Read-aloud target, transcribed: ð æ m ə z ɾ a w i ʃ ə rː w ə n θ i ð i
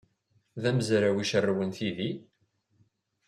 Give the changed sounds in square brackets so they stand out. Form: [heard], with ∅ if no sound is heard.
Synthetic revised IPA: ð æ m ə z ɾ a w i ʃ ə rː w ə n θ i ð i